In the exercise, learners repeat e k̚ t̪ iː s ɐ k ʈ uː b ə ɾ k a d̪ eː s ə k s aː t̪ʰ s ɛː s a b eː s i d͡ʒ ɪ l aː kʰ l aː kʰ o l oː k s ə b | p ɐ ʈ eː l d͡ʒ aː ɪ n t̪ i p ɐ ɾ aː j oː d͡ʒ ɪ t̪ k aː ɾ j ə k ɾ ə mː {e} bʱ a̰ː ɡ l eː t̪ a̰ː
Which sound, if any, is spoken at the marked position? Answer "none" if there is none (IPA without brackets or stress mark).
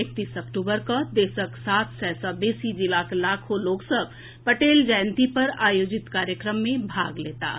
ẽ